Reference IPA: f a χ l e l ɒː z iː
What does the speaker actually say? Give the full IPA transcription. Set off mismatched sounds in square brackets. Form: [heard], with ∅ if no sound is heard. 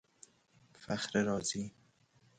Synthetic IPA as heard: f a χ [ɾ] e [ɾ] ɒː z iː